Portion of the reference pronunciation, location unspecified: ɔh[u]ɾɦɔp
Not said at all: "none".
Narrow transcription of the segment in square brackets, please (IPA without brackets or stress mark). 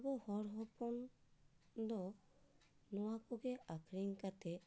ɔ